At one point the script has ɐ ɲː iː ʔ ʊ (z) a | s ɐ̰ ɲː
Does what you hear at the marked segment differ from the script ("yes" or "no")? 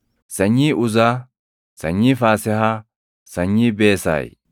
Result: no